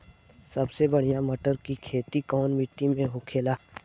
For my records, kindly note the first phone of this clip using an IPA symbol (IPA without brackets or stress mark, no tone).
s